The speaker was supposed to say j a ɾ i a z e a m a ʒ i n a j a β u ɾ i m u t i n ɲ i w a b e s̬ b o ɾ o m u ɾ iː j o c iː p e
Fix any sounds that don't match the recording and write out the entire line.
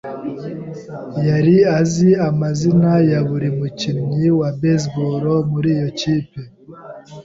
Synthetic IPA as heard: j a ɾ i a z i a m a z i n a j a β u ɾ i m u c i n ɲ i w a b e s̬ b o ɾ o m u ɾ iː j o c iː p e